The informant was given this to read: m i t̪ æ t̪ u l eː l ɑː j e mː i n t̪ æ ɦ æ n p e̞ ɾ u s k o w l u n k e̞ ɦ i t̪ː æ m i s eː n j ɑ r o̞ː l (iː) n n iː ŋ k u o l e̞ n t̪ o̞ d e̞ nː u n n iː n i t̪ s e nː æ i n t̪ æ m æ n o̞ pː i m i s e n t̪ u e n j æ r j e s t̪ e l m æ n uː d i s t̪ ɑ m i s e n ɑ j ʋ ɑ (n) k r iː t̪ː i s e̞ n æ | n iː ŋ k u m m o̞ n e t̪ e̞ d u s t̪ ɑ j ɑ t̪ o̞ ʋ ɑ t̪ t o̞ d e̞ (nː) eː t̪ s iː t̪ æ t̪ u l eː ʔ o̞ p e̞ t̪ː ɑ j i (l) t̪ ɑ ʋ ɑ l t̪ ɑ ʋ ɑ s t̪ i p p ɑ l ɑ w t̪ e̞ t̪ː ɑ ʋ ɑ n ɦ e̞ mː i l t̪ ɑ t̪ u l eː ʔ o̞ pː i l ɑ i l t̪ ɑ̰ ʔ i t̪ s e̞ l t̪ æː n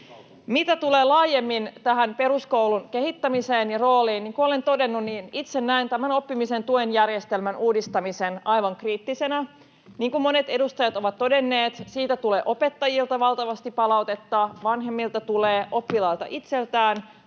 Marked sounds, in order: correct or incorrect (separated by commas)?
correct, incorrect, correct, correct